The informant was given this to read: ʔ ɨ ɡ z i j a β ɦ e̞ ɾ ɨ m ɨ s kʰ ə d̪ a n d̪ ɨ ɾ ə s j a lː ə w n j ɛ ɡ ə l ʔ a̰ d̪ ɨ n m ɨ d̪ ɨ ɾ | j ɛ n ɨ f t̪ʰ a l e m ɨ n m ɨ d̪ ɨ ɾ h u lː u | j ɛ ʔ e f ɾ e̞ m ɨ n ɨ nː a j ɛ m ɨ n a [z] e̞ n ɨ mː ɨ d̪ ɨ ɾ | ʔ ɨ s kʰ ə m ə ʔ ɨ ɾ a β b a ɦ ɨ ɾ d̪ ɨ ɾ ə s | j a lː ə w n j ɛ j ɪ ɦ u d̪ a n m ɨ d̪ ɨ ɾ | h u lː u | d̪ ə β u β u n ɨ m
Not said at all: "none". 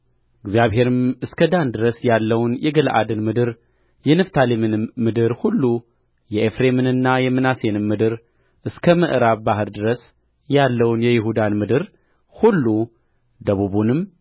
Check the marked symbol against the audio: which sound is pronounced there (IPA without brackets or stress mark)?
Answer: s